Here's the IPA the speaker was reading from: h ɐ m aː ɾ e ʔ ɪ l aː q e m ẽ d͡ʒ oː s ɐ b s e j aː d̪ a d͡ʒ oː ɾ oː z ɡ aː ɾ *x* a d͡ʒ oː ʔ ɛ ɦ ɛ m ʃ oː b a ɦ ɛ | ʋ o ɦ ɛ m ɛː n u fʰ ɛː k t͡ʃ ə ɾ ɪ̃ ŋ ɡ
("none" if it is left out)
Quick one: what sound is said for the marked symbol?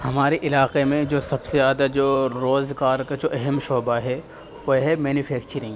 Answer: k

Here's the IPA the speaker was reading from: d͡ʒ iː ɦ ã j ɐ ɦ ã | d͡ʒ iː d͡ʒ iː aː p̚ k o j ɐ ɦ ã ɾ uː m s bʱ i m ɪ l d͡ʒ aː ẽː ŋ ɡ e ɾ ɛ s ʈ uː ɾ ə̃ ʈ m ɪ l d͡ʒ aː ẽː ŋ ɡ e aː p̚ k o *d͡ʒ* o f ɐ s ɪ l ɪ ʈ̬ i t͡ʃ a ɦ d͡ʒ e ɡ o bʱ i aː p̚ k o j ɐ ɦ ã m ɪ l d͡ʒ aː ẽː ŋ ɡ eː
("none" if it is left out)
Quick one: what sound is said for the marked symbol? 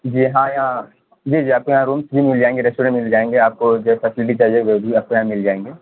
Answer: d͡ʒ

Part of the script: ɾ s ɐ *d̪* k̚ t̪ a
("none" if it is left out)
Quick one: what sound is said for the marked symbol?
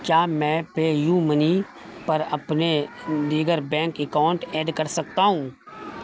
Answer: none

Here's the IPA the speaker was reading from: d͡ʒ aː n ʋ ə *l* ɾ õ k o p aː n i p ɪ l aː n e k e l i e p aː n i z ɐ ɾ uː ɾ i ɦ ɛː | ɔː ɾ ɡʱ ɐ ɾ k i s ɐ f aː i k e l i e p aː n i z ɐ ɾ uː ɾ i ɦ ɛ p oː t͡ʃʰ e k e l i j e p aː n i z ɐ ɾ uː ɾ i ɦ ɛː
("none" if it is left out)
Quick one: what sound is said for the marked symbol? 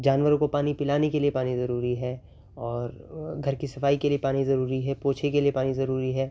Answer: none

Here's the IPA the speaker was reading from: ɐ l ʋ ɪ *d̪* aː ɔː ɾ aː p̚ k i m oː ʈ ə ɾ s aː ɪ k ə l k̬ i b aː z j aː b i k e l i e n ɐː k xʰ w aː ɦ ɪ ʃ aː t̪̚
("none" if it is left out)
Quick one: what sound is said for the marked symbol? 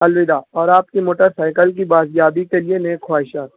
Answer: d̪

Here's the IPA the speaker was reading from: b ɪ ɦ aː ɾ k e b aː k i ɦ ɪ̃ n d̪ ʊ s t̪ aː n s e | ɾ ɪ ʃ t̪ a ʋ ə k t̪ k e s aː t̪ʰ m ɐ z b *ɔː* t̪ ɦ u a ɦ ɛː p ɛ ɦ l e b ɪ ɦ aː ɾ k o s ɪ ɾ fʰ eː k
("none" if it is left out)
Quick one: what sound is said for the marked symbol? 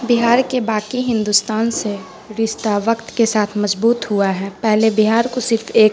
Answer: uː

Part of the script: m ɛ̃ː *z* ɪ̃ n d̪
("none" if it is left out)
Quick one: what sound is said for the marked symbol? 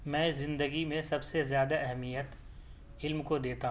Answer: z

